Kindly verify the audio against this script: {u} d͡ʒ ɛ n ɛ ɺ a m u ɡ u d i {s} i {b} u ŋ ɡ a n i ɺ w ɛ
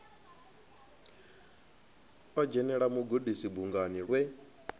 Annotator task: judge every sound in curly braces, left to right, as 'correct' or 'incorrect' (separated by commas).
incorrect, correct, correct